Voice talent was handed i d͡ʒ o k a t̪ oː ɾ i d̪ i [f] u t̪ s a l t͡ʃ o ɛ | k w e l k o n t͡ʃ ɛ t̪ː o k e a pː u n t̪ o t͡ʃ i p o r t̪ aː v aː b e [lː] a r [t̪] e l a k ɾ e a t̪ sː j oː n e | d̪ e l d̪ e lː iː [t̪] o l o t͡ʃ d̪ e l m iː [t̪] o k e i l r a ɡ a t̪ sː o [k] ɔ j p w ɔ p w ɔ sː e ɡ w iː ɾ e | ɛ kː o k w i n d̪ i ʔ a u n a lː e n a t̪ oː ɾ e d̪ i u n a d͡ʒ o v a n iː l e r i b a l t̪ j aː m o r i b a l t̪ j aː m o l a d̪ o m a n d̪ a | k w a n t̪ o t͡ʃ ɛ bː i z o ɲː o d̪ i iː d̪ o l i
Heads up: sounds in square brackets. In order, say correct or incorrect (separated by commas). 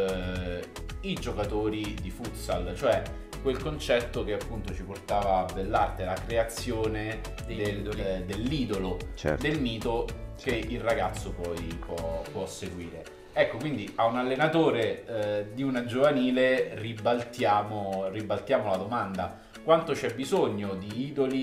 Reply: correct, correct, correct, incorrect, correct, incorrect